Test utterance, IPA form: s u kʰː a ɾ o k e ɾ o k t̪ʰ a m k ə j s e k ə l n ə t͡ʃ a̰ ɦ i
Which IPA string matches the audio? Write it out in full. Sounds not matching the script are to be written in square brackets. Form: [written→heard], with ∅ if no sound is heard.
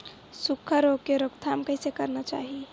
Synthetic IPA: s u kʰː [a→ə] ɾ o k e ɾ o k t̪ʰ a m k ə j s e k ə [l→ɾ] n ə t͡ʃ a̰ ɦ i